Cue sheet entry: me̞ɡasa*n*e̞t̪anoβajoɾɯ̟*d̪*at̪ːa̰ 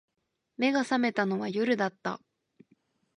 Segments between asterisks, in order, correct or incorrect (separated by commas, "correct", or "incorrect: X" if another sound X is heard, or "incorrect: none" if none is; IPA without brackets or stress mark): incorrect: m, correct